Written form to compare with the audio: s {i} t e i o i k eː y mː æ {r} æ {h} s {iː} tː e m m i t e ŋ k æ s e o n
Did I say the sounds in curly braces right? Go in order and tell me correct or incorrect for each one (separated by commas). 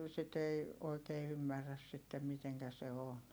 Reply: correct, incorrect, incorrect, incorrect